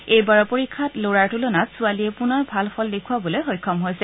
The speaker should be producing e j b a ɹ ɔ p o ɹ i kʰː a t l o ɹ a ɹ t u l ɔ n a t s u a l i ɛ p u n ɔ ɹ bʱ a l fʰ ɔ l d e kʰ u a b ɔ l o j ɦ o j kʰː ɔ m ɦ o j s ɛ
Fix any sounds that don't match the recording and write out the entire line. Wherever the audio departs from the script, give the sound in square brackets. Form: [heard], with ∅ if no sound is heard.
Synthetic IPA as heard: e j b a ɹ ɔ p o ɹ i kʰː a t l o ɹ a ɹ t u l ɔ n a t s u a l i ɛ p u n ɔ ɹ bʱ a l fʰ ɔ l d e kʰ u a b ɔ l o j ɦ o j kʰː ɔ m ɦ o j s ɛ